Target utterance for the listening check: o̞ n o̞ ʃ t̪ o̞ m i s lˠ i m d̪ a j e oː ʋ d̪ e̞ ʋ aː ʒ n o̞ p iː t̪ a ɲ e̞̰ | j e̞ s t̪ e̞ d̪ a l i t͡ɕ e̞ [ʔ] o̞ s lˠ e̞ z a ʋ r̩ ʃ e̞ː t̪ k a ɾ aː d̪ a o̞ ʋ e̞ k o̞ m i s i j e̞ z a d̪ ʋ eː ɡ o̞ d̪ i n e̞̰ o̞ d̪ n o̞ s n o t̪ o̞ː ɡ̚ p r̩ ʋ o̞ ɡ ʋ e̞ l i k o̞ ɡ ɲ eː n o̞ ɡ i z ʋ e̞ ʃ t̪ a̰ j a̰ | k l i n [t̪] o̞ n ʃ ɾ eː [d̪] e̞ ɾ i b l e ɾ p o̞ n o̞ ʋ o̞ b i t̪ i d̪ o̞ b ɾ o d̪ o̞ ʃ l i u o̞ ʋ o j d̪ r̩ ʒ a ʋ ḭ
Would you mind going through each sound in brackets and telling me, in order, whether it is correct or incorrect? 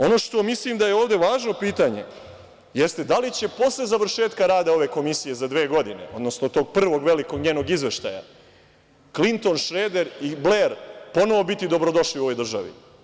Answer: incorrect: p, correct, correct

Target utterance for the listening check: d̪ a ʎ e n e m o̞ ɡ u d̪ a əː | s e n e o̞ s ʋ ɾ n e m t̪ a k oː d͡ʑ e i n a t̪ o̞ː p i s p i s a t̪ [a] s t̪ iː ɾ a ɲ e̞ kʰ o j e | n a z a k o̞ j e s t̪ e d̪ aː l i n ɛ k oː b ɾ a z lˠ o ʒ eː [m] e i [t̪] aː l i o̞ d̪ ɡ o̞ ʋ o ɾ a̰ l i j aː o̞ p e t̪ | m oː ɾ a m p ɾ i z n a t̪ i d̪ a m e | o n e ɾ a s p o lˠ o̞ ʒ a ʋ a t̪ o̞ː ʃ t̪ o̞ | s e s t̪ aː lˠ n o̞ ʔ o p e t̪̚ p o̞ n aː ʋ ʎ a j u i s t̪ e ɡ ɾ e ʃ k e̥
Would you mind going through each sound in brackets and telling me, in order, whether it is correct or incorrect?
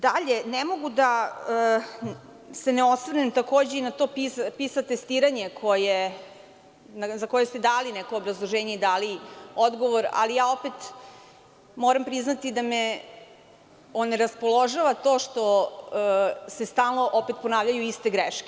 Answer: incorrect: e, incorrect: ɲ, incorrect: d̪

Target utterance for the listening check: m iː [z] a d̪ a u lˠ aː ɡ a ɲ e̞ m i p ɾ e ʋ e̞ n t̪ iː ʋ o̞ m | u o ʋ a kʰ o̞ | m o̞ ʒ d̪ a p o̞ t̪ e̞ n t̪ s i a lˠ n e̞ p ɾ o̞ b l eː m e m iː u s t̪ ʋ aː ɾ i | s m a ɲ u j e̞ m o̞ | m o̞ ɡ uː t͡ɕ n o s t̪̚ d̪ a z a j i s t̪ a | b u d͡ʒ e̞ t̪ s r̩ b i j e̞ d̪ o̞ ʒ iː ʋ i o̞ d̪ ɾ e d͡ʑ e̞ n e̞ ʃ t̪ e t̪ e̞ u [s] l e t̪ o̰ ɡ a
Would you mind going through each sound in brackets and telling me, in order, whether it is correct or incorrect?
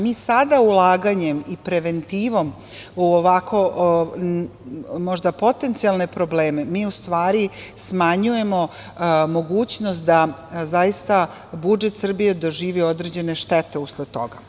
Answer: incorrect: s, correct

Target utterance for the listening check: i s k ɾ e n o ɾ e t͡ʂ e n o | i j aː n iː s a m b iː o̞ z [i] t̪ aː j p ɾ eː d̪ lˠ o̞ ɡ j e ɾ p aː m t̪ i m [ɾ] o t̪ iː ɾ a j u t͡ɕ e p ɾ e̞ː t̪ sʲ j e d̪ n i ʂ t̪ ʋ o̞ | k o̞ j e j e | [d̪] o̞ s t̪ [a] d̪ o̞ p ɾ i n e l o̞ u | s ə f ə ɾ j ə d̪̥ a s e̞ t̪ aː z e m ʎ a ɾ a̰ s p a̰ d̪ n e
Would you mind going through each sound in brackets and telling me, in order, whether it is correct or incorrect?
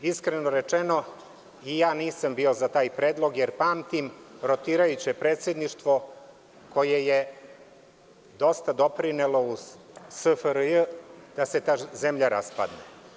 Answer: incorrect: a, correct, correct, correct

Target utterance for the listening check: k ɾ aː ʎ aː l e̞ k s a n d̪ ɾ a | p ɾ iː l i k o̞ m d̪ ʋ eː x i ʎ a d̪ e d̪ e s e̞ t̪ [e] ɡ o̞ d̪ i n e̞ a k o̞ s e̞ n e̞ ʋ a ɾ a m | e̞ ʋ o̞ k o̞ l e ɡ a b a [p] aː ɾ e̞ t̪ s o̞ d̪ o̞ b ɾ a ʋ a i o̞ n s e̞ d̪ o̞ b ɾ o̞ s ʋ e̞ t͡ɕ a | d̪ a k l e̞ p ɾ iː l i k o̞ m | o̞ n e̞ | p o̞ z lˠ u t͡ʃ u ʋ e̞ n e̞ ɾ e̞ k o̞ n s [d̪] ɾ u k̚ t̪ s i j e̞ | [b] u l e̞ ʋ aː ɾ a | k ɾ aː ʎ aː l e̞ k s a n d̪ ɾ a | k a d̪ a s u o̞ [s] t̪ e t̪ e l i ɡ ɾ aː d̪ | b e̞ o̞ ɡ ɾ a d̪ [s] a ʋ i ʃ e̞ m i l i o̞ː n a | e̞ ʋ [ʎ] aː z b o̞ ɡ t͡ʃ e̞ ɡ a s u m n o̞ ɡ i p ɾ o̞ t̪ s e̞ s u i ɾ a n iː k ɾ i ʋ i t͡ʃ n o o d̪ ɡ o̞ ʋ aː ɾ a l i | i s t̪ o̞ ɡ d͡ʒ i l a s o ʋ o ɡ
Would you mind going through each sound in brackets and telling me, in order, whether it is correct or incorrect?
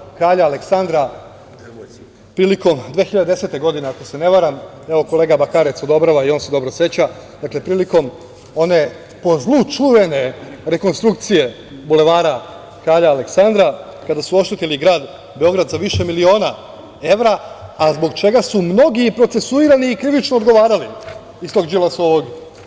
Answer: correct, incorrect: k, incorrect: t̪, correct, incorrect: ʃ, incorrect: z, incorrect: ɾ

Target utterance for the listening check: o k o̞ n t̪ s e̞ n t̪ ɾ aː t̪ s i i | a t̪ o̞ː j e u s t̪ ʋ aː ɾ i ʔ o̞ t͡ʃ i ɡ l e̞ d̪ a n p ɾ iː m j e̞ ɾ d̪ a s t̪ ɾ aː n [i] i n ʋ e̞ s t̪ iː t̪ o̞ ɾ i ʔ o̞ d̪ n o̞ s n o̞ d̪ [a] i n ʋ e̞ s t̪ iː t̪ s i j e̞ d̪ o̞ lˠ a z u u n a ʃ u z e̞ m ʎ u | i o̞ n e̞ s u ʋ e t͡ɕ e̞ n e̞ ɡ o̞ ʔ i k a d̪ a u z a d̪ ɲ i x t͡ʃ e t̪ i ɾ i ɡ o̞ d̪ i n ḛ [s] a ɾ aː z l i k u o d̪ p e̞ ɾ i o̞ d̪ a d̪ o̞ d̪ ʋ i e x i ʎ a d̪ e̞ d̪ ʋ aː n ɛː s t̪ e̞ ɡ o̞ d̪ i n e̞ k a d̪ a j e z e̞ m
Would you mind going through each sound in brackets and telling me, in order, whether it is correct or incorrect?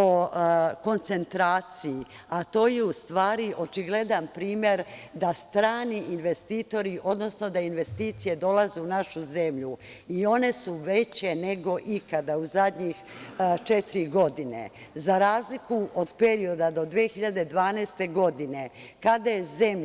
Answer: correct, correct, incorrect: z

